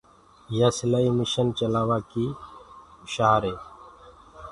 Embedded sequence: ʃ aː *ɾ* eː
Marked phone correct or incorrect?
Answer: correct